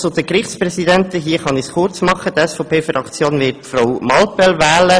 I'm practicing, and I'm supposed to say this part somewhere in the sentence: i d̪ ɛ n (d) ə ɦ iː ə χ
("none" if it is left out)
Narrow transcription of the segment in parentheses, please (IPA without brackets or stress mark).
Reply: t